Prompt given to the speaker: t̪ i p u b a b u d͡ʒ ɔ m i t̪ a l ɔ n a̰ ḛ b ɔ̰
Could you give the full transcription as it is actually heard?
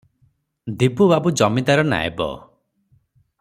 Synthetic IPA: d̪ i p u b a b u d͡ʒ ɔ m i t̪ a ɾ ɔ n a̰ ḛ b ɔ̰